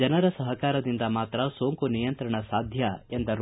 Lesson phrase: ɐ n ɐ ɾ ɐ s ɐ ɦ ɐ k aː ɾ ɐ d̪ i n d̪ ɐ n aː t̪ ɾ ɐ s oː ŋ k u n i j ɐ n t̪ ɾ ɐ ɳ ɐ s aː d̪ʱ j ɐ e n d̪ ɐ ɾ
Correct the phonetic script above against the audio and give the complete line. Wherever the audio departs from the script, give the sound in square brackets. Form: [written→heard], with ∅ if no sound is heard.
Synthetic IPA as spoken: ɐ n ɐ ɾ ɐ s ɐ ɦ ɐ k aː ɾ ɐ d̪ i n d̪ ɐ [n→m] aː t̪ ɾ ɐ s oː ŋ k u n i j ɐ n t̪ ɾ ɐ ɳ ɐ s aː d̪ʱ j ɐ e n d̪ ɐ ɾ